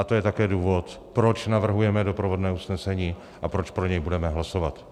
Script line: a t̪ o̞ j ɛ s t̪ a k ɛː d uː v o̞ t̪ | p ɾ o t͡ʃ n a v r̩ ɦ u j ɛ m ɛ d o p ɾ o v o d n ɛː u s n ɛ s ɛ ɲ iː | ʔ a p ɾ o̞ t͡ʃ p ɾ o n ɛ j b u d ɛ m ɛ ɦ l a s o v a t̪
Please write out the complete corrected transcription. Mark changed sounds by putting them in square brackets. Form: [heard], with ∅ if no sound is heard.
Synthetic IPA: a t̪ o̞ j ɛ [∅] t̪ a k ɛː d uː v o̞ t̪ | p ɾ o t͡ʃ n a v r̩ ɦ u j ɛ m ɛ d o p ɾ o v o d n ɛː u s n ɛ s ɛ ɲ iː | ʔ a p ɾ o̞ t͡ʃ p ɾ o [ɲ] ɛ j b u d ɛ m ɛ ɦ l a s o v a t̪

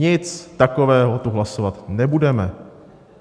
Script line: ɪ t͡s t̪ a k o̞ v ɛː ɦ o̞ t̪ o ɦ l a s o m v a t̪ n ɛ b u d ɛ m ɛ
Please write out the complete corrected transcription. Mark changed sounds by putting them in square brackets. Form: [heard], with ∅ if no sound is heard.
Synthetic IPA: ɪ t͡s t̪ a k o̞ v ɛː ɦ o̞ t̪ [u] ɦ l a s o [∅] v a t̪ n ɛ b u d ɛ m ɛ

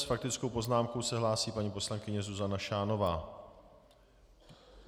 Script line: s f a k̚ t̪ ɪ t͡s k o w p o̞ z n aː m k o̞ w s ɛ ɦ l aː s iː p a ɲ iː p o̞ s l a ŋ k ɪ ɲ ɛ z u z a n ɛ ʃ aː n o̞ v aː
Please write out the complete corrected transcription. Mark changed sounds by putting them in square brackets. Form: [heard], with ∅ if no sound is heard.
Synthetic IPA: s f a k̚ t̪ ɪ t͡s k o w p o̞ z n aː m k o̞ w s ɛ ɦ l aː s iː p a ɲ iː p o̞ s l a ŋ k ɪ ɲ ɛ z u z a n [a] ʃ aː n o̞ v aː

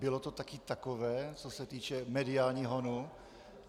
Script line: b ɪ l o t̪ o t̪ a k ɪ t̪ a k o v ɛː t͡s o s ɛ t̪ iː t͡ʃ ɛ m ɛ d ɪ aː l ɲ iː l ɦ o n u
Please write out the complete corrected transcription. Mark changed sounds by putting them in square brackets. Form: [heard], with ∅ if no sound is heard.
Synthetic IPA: b ɪ l o t̪ o t̪ a k ɪ t̪ a k o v ɛː t͡s o s ɛ t̪ iː t͡ʃ ɛ m ɛ d ɪ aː l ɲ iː [∅] ɦ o n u

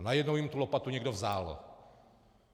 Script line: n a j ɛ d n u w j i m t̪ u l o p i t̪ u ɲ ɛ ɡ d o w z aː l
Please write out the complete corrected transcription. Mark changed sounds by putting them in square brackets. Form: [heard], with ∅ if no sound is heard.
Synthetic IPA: n a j ɛ d n [o] w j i m t̪ u l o p [a] t̪ u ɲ ɛ ɡ d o [v] z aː l

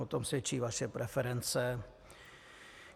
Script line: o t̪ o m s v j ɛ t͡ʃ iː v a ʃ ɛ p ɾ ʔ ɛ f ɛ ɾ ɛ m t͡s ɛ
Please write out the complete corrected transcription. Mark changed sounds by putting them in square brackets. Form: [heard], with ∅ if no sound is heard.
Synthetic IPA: o t̪ o m s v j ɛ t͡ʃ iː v a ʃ ɛ p ɾ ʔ ɛ f ɛ ɾ ɛ [n] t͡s ɛ

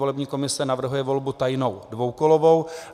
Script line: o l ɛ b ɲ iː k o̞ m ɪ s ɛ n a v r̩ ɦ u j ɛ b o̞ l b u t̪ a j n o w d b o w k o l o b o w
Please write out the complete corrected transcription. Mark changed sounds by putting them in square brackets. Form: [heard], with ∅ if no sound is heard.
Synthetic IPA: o l ɛ b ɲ iː k o̞ m ɪ s ɛ n a v r̩ ɦ u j ɛ [v] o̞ l b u t̪ a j n o w d [v] o w k o l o [v] o w

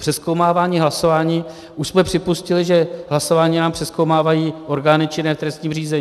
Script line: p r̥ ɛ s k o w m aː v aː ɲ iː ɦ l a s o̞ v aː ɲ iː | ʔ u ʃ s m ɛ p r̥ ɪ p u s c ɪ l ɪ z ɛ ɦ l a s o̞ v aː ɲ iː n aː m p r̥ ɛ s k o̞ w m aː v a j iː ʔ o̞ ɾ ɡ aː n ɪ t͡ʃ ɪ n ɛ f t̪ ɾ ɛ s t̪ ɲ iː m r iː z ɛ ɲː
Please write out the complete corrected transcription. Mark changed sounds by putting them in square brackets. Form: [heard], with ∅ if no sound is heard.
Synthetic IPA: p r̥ ɛ s k o w m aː v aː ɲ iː ɦ l a s o̞ v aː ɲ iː | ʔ u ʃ s m ɛ p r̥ ɪ p u s c ɪ l ɪ [ʒ] ɛ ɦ l a s o̞ v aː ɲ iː n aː m p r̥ ɛ s k o̞ w m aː v a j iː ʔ o̞ ɾ ɡ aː n ɪ t͡ʃ ɪ n ɛ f t̪ ɾ ɛ s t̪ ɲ iː m r iː z ɛ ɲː

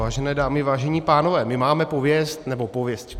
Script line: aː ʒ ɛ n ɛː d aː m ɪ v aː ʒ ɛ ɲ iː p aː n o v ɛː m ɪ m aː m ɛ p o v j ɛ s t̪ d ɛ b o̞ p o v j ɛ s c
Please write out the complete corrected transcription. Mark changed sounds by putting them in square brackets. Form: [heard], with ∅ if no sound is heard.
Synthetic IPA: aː ʒ ɛ n ɛː d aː m ɪ v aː ʒ ɛ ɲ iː p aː n o v ɛː m ɪ m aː m ɛ p o v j ɛ s t̪ [n] ɛ b o̞ p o v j ɛ s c

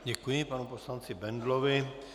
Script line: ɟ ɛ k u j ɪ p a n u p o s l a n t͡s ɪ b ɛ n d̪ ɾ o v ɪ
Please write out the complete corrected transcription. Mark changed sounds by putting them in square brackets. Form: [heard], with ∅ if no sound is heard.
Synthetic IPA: ɟ ɛ k u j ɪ p a n u p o s l a n t͡s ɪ b ɛ n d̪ [l] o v ɪ

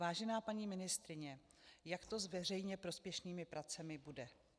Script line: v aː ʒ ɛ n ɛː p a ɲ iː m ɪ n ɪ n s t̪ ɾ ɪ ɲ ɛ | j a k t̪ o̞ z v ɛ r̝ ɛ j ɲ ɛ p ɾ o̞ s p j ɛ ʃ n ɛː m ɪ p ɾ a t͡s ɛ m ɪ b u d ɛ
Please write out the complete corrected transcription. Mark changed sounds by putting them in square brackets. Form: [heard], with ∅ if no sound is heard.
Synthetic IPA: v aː ʒ ɛ n [aː] p a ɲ iː m ɪ n ɪ [∅] s t̪ ɾ ɪ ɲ ɛ | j a k t̪ o̞ z v ɛ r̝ ɛ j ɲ ɛ p ɾ o̞ s p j ɛ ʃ n [iː] m ɪ p ɾ a t͡s ɛ m ɪ b u d ɛ

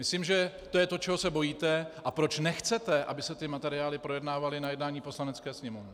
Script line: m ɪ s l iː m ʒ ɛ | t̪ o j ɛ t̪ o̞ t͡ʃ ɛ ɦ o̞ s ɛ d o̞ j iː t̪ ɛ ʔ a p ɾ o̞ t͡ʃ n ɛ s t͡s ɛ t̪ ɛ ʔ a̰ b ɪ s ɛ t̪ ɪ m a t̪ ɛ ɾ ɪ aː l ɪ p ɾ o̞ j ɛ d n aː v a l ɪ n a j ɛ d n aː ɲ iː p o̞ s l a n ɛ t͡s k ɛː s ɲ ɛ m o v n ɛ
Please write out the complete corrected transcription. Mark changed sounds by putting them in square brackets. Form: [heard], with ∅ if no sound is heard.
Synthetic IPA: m ɪ s l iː m ʒ ɛ | t̪ o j ɛ t̪ o̞ t͡ʃ ɛ ɦ o̞ s ɛ [b] o̞ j iː t̪ ɛ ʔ a p ɾ o̞ t͡ʃ n ɛ [x] t͡s ɛ t̪ ɛ ʔ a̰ b ɪ s ɛ t̪ ɪ m a t̪ ɛ ɾ ɪ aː l ɪ p ɾ o̞ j ɛ d n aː v a l ɪ n a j ɛ d n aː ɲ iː p o̞ s l a n ɛ t͡s k ɛː s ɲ ɛ m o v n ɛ

